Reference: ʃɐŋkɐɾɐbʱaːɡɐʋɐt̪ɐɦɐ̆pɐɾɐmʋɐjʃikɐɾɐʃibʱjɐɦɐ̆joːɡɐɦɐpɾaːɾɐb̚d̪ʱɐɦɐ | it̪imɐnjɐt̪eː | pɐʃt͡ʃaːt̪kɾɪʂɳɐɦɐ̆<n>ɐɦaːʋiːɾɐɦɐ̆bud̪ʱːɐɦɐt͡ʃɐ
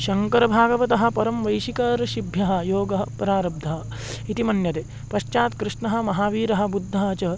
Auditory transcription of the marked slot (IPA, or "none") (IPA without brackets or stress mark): m